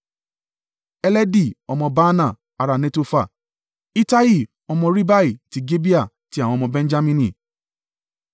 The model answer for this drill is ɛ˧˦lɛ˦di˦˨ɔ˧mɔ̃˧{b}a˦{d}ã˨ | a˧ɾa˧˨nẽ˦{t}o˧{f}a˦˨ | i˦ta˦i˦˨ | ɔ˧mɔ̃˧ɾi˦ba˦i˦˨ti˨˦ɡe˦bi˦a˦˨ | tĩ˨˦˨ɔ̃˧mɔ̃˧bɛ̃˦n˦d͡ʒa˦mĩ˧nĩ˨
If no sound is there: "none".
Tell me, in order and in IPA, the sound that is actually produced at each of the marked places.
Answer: b, n, t, f

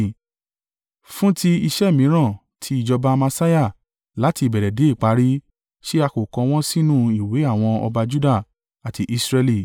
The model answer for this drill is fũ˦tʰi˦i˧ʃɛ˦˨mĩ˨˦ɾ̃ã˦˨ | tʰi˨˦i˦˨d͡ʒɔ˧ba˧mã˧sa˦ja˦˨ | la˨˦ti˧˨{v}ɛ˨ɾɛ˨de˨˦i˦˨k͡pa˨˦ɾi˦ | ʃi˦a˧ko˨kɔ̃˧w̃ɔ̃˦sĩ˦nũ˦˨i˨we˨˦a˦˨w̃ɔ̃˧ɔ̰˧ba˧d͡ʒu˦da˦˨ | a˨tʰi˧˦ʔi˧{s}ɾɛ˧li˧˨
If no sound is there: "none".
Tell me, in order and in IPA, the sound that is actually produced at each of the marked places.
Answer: b, s

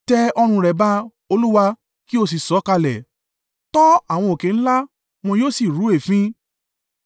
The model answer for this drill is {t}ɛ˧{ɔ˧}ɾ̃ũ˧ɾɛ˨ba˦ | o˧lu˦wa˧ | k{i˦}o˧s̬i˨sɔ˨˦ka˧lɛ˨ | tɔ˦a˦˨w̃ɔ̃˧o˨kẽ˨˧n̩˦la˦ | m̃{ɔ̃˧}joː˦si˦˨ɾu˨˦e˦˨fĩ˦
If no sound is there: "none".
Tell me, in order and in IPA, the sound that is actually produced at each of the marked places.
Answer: t, ɔ˧, i˦, ɔ̃˧

